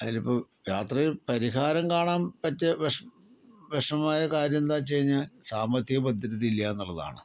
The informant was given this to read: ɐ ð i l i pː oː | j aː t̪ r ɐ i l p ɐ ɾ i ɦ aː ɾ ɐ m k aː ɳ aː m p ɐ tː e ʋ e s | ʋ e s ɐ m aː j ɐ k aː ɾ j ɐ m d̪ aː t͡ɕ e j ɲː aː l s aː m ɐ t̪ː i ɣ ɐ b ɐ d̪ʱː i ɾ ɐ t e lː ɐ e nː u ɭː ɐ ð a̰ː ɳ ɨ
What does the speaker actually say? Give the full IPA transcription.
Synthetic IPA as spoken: ɐ ð i l i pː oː | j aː t̪ r ɐ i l p ɐ ɾ i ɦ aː ɾ ɐ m k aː ɳ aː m p ɐ tː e ʋ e ʂ | ʋ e ʂ ɐ m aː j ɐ k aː ɾ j ɐ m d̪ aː t͡ɕ e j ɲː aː l s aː m ɐ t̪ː i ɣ ɐ b ɐ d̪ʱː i ɾ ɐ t i lː ɐ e nː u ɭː ɐ ð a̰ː ɳ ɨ